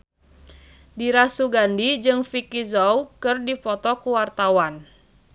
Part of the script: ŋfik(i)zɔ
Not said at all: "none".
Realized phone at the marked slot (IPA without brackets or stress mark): i